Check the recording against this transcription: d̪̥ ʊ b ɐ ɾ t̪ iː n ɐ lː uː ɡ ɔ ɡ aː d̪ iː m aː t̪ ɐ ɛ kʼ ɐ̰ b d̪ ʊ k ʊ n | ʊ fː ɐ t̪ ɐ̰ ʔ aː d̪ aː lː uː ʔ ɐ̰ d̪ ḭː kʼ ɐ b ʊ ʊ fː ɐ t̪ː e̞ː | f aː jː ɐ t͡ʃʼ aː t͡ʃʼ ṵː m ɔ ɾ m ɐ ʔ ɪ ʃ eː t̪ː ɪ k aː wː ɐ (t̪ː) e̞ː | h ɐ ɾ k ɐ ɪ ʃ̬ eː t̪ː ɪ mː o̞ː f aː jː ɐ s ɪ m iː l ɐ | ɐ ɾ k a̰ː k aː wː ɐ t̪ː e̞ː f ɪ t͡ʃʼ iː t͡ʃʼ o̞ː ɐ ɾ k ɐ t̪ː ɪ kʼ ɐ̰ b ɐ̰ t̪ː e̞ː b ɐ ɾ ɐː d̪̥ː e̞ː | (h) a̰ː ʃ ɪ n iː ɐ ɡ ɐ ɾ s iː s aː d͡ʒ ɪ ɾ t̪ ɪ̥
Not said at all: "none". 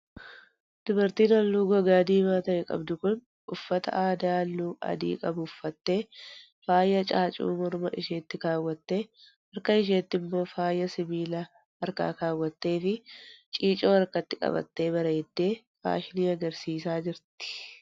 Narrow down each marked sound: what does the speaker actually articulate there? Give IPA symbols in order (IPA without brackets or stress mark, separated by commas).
t̪ː, f